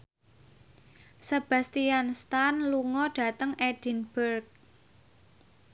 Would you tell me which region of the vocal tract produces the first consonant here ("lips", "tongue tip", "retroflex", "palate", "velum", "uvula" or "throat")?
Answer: tongue tip